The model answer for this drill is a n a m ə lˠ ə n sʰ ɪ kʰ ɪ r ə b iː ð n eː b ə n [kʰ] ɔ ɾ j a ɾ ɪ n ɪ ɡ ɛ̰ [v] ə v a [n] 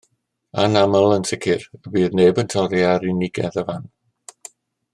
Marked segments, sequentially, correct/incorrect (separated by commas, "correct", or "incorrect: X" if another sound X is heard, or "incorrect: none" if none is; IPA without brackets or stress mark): incorrect: tʰ, incorrect: ð, correct